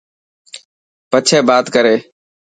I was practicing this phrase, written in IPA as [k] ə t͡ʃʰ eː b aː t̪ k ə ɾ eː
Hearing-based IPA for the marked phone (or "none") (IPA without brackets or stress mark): p